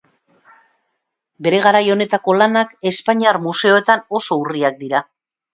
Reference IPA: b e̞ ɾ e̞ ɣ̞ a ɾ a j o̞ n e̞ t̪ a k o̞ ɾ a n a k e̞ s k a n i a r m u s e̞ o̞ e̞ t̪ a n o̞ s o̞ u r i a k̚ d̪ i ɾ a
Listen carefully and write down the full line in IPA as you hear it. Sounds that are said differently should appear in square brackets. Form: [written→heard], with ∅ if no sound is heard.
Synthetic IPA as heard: b e̞ ɾ e̞ ɣ̞ a ɾ a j o̞ n e̞ t̪ a k o̞ [ɾ→l] a n a k e̞ s [k→p] a [n→ɲ] i a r m u s e̞ o̞ e̞ t̪ a n o̞ s o̞ u r i a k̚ d̪ i ɾ a